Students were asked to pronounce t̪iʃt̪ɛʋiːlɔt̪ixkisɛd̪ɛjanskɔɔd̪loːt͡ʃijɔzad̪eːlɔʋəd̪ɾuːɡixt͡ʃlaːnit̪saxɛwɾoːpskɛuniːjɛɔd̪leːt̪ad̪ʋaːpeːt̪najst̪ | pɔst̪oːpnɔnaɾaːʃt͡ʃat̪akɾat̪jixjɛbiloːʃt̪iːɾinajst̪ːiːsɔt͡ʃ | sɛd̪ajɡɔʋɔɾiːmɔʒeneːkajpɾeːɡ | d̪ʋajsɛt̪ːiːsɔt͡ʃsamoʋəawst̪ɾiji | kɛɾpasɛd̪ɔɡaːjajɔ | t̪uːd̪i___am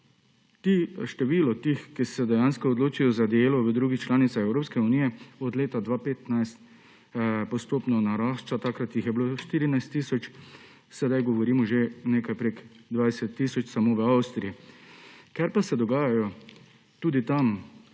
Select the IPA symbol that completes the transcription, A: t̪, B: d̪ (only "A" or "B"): A